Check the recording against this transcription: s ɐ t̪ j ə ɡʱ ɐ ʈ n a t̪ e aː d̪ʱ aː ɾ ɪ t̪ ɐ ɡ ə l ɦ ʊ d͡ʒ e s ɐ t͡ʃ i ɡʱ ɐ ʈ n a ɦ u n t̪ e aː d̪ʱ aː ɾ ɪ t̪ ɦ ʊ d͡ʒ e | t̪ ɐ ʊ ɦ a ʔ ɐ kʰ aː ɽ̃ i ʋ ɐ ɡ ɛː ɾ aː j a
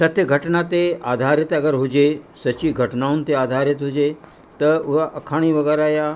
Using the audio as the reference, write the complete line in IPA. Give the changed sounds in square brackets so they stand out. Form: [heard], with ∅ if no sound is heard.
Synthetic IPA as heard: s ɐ t̪ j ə ɡʱ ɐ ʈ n a t̪ e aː d̪ʱ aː ɾ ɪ t̪ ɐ ɡ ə [ɾ] ɦ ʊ d͡ʒ e s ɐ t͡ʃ i ɡʱ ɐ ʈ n a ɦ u n t̪ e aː d̪ʱ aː ɾ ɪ t̪ ɦ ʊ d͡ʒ e | t̪ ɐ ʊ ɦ a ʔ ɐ kʰ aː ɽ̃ i ʋ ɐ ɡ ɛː ɾ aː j a